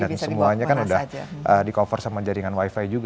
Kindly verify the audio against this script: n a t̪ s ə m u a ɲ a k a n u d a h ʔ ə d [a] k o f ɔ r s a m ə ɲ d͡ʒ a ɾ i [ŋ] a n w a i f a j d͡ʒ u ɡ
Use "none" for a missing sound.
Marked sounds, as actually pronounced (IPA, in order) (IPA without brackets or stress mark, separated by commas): i, ŋ